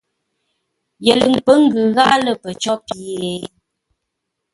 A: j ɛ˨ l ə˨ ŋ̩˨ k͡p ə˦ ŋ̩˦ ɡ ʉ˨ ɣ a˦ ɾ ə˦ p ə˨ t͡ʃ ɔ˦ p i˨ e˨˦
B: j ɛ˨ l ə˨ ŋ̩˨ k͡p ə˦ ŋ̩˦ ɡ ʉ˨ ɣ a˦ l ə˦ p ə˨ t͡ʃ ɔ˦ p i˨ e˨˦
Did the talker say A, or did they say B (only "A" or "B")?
B